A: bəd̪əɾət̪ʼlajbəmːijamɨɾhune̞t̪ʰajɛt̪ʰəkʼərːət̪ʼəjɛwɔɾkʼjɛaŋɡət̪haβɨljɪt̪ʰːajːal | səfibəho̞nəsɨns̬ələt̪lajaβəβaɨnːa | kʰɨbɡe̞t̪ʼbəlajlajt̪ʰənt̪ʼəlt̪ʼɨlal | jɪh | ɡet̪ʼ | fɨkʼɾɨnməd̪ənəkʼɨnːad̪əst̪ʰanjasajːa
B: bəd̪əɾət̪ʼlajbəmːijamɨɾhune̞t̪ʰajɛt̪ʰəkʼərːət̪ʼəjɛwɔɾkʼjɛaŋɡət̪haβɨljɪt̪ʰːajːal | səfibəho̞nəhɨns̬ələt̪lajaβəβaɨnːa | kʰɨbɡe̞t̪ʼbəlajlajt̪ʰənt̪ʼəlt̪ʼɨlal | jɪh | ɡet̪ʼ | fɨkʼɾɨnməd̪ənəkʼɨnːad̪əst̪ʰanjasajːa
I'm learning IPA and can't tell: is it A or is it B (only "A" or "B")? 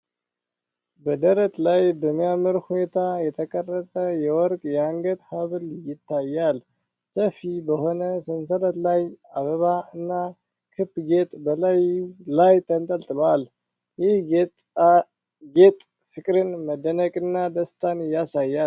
A